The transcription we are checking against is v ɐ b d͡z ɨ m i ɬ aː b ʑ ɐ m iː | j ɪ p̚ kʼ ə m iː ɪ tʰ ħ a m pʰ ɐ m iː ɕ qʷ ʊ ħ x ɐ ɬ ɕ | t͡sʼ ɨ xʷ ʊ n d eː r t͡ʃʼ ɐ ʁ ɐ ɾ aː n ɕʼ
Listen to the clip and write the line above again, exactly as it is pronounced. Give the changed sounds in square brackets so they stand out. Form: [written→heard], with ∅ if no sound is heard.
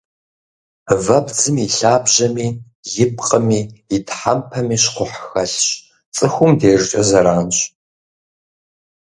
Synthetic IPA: v ɐ b d͡z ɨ m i ɬ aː b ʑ ɐ m iː | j ɪ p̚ [kʼ→qʼ] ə m iː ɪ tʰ ħ a m pʰ ɐ m iː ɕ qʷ ʊ ħ x ɐ ɬ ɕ | t͡sʼ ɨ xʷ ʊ [n→m] d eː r t͡ʃʼ ɐ [ʁ→z] ɐ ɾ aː n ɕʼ